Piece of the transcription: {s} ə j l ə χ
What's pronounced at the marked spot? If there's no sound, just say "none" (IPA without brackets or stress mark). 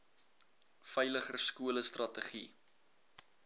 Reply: f